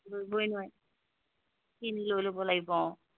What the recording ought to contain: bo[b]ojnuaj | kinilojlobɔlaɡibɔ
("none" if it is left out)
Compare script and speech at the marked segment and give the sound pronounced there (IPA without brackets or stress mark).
b